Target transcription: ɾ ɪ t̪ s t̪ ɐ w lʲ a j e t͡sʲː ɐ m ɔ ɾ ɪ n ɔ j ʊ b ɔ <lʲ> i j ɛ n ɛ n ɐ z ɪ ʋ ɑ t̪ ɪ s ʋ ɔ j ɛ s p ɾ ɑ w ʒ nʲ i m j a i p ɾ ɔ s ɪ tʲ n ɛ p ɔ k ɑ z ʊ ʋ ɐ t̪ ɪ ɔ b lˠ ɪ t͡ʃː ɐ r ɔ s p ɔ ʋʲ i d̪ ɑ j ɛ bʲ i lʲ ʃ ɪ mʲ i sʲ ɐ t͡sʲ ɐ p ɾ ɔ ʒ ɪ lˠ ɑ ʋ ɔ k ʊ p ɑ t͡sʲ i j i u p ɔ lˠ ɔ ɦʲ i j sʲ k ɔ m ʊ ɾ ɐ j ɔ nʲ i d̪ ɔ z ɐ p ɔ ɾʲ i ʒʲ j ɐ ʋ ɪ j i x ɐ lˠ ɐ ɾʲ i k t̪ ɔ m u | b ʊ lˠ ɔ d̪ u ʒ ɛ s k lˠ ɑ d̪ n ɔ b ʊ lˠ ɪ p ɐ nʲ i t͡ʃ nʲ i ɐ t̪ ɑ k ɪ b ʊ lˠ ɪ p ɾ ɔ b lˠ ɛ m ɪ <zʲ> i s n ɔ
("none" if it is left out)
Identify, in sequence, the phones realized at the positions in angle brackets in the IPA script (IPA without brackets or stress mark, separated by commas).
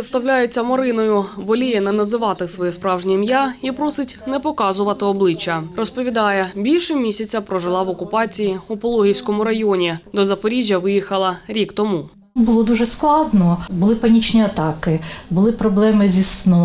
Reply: lʲ, zʲ